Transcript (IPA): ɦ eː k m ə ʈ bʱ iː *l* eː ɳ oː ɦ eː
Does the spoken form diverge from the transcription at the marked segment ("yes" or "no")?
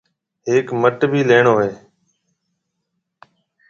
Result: no